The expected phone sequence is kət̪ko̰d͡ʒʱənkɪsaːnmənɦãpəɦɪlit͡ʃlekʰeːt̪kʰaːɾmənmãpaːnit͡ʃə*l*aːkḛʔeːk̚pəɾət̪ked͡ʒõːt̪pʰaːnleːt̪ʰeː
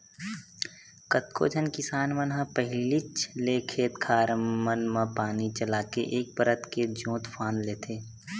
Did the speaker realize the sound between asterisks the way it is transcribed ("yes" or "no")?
yes